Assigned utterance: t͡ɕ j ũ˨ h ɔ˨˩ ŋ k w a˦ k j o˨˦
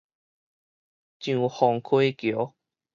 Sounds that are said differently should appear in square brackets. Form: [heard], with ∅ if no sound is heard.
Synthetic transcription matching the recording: t͡ɕ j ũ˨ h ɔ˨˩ ŋ [kʰ] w [e˦] k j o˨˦